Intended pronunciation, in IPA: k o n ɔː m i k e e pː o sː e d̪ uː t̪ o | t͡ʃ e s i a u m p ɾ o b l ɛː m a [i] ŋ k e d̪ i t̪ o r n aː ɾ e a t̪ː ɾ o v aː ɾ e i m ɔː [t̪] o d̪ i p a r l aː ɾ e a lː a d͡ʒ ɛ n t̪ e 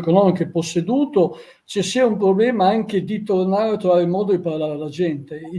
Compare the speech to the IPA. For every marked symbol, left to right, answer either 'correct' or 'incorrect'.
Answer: incorrect, incorrect

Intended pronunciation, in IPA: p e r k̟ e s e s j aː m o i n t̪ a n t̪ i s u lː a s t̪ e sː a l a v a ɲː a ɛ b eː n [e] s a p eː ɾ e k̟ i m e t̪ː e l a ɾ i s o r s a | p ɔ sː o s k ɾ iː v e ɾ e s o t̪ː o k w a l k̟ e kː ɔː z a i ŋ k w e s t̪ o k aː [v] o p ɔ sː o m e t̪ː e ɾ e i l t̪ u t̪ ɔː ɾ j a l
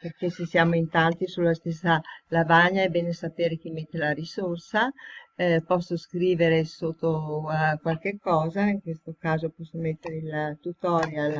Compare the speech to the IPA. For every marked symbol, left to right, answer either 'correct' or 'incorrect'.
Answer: correct, incorrect

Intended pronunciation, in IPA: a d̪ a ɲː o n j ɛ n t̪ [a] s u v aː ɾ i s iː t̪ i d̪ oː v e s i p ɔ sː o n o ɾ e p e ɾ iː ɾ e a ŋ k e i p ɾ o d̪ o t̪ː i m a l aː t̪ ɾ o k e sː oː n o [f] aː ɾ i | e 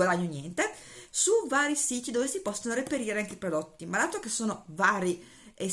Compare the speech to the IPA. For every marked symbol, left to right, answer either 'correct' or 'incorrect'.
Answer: incorrect, incorrect

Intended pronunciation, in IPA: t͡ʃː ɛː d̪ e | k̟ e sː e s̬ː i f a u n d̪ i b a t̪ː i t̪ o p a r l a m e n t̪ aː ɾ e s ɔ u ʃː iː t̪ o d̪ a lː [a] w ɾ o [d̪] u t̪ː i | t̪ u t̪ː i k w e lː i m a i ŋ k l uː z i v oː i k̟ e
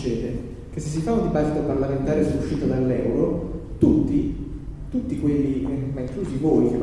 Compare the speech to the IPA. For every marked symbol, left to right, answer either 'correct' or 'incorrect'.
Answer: incorrect, incorrect

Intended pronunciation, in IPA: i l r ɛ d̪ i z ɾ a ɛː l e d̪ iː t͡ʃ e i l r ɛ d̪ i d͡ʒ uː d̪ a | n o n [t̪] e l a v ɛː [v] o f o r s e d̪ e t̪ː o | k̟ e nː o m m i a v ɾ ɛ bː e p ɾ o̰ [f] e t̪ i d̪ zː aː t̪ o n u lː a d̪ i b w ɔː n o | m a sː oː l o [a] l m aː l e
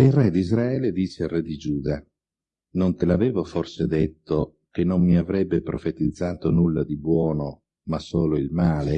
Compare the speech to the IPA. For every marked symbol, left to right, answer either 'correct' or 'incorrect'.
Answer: correct, correct, correct, incorrect

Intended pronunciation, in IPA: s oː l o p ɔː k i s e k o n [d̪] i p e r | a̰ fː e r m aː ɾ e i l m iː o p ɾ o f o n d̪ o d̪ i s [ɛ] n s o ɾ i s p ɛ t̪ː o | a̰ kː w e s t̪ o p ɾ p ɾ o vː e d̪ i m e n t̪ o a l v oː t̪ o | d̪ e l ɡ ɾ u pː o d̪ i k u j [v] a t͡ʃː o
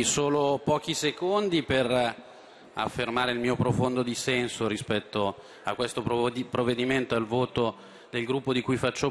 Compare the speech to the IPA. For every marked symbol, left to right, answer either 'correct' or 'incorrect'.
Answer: correct, correct, incorrect

